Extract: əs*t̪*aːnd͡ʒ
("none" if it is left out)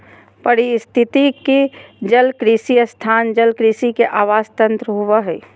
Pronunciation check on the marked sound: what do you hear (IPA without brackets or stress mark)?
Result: t̪ʰ